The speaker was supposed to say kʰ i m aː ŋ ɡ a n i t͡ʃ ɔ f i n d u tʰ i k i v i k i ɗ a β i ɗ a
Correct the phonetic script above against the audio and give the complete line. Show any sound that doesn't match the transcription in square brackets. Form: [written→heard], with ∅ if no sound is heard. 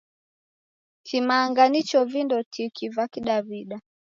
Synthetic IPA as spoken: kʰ i m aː ŋ ɡ a n i t͡ʃ ɔ [f→v] i n d [u→ɔ] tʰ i k i v [i→a] k i ɗ a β i ɗ a